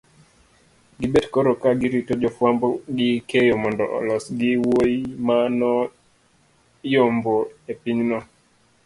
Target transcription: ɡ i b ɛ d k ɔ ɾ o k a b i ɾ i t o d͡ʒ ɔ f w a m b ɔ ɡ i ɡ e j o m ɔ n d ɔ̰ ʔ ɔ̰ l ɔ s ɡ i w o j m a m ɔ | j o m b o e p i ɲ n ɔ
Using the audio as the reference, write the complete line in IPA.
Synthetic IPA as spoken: ɡ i b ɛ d k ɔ ɾ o k a ɡ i ɾ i t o d͡ʒ ɔ f w a m b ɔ ɡ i k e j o m ɔ n d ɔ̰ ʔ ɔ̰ l ɔ s ɡ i w o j m a n ɔ | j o m b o e p i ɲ n ɔ